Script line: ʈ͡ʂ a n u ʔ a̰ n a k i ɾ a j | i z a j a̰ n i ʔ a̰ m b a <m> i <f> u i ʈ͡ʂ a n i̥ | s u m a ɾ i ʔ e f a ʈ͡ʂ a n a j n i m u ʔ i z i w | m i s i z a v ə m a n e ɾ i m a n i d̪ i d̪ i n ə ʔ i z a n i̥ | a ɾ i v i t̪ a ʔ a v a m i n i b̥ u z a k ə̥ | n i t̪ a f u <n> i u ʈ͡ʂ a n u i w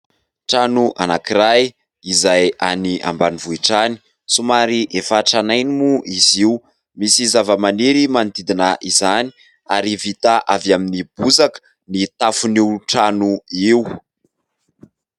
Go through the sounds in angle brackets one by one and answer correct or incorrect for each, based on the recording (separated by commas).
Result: incorrect, incorrect, correct